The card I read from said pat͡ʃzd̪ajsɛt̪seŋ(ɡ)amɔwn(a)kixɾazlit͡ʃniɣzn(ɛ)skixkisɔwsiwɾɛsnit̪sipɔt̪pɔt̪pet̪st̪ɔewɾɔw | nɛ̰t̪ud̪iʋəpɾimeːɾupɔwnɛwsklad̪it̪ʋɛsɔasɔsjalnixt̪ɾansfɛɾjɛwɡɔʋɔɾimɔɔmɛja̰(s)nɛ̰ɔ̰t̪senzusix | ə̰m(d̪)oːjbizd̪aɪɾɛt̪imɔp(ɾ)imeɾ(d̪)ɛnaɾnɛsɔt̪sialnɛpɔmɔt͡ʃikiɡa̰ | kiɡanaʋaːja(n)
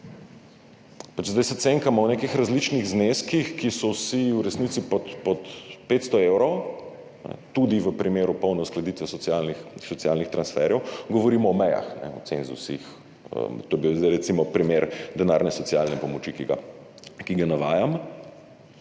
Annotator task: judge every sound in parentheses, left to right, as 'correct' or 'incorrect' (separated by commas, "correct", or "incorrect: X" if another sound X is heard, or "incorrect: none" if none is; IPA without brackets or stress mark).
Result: incorrect: k, incorrect: e, incorrect: e, incorrect: x, incorrect: t̪, correct, correct, incorrect: m